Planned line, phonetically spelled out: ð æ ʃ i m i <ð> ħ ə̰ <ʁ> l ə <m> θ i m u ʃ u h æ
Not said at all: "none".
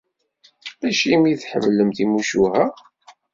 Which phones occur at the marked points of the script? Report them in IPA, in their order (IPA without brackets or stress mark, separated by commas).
θ, v, m